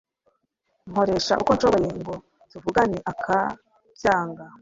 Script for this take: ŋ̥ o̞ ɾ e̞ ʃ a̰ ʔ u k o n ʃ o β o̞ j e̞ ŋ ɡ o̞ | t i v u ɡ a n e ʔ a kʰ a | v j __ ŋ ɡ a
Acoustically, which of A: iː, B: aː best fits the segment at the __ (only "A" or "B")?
B